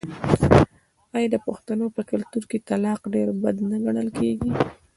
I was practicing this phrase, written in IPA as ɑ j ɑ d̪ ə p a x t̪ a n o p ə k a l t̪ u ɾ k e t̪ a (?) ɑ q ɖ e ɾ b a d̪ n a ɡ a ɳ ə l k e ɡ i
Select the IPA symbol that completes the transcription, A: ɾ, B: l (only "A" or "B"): B